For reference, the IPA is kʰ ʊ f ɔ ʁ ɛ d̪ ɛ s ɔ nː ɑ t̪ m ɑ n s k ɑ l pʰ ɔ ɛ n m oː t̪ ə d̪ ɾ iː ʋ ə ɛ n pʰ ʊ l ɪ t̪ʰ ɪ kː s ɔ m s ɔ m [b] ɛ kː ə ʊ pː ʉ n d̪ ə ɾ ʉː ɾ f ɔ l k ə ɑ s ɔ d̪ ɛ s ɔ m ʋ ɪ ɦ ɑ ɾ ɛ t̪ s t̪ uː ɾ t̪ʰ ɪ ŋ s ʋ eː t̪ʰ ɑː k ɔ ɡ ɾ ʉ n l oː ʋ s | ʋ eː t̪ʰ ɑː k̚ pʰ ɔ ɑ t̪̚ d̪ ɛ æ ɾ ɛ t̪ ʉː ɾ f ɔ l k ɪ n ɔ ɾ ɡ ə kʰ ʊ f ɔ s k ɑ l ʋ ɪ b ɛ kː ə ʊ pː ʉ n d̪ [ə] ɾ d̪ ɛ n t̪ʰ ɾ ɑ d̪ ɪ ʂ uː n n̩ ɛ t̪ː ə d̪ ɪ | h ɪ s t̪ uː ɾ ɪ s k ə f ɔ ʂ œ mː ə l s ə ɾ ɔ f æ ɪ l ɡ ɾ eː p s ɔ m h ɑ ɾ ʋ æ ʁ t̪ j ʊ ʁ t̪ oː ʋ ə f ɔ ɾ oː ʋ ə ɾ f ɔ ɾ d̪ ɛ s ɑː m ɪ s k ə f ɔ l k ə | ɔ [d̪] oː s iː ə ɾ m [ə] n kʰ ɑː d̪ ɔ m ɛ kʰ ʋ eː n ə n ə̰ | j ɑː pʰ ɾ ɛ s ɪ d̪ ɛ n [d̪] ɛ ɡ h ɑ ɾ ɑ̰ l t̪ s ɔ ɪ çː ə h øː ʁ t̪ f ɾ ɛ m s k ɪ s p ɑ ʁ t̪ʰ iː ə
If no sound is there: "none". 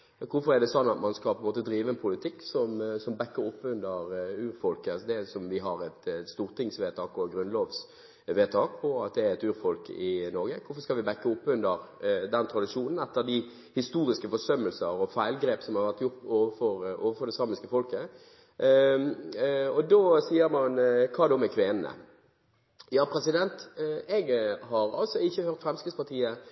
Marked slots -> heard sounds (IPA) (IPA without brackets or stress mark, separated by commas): b, ə, d̪, ɑ, t̪